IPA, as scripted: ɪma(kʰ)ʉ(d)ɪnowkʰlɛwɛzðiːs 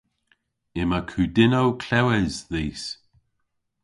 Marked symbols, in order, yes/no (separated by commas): yes, yes